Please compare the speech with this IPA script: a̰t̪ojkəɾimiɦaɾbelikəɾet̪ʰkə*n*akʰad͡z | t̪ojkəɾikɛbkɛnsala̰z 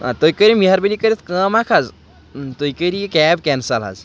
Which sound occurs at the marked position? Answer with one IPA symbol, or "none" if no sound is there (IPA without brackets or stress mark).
m